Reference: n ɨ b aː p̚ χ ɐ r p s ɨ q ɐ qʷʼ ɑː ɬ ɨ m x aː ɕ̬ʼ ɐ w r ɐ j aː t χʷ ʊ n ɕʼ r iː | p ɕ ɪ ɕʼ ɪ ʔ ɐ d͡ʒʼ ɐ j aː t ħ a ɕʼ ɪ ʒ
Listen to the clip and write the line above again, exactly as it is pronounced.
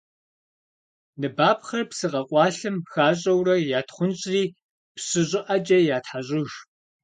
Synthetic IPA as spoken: n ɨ b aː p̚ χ ɐ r p s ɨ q ɐ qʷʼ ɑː ɬ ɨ m x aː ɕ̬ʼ ɐ w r ɐ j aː t χʷ ʊ n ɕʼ r iː | p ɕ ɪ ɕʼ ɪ ʔ ɐ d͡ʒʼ ɐ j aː t ħ a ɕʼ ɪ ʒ